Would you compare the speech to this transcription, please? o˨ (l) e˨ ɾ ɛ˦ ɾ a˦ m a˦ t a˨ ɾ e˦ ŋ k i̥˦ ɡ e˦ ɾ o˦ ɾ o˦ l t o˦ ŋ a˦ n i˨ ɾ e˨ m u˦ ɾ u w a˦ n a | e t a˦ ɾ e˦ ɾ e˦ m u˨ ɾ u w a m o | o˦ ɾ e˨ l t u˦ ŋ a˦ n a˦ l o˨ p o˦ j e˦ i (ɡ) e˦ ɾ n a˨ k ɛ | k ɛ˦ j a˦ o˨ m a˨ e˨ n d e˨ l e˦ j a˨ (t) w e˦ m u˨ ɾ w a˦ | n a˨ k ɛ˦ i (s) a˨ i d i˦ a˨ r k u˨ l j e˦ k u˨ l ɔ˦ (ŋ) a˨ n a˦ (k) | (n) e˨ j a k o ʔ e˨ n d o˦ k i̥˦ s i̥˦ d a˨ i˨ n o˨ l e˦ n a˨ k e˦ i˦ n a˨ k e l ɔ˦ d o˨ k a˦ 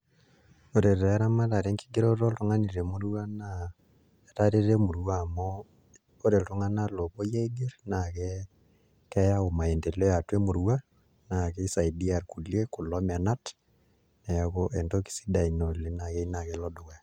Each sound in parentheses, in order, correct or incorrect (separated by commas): incorrect, correct, correct, correct, incorrect, incorrect, correct